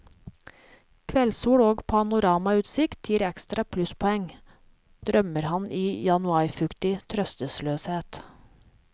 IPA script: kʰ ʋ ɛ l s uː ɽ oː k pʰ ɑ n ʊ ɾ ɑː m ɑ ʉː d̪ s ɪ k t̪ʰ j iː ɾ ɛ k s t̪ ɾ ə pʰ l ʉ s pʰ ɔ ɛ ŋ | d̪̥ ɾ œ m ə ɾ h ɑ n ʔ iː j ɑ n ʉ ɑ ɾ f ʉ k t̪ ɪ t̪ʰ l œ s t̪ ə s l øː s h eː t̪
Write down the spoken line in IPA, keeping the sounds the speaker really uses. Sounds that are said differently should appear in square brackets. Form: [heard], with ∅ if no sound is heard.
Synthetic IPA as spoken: kʰ ʋ ɛ l s uː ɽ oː [ɡ] pʰ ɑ n ʊ ɾ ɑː m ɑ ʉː [t̪] s ɪ k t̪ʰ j iː ɾ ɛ k s t̪ ɾ [ɑ] pʰ l ʉ s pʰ ɔ ɛ ŋ | d̪̥ ɾ œ m ə ɾ h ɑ n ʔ iː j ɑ n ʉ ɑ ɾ f ʉ k t̪ ɪ t̪ʰ [ɾ] œ s t̪ ə s l øː s h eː t̪